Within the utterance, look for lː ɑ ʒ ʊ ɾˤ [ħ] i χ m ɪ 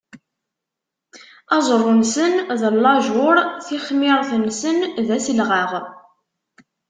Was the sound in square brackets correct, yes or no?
no